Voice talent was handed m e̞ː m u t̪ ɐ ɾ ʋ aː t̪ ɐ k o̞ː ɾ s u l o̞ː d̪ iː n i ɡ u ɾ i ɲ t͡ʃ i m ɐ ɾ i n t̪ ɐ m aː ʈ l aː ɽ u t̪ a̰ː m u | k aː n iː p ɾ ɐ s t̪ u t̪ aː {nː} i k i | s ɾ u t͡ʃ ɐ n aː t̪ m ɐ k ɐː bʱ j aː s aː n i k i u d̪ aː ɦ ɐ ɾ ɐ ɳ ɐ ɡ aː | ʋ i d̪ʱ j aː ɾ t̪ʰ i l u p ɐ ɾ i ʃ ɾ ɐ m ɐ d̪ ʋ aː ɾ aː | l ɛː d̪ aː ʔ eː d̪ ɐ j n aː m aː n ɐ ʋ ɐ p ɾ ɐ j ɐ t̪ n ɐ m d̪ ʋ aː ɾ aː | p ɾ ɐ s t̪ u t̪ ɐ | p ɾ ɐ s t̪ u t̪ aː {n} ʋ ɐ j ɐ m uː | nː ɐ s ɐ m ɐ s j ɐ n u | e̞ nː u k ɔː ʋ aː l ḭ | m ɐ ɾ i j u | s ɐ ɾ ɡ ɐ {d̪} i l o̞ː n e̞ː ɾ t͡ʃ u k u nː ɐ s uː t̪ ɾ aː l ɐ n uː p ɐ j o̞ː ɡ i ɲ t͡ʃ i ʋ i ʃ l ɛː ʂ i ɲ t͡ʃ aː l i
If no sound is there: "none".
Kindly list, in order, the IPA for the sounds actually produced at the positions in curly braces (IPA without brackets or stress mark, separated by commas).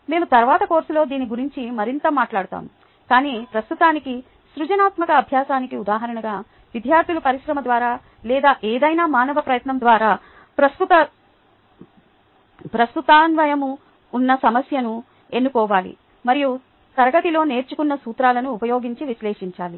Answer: n, n, t̪